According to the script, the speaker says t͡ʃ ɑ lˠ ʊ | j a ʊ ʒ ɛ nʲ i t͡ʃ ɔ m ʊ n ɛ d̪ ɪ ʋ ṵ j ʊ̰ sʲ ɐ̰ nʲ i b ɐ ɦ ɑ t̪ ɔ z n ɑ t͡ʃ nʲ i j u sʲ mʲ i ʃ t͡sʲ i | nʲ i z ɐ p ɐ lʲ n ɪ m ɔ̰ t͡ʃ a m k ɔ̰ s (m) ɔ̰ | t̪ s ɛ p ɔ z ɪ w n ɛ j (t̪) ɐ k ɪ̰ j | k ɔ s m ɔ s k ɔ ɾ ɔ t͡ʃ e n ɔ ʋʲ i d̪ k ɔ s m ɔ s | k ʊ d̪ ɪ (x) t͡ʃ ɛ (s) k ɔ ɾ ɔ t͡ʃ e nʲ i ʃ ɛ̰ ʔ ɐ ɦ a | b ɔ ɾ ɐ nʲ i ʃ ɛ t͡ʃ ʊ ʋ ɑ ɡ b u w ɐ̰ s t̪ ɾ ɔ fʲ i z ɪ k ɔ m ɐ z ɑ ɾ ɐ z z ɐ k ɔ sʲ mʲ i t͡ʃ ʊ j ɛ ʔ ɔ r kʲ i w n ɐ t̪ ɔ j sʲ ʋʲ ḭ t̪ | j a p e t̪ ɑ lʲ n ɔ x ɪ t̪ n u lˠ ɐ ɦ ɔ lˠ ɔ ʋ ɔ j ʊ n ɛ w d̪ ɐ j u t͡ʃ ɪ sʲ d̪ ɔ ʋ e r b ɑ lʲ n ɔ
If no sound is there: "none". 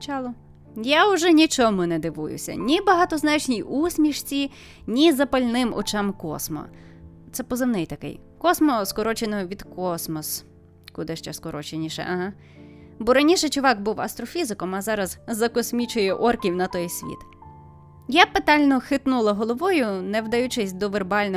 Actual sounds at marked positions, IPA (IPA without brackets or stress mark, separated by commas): m, t̪, ʃ, s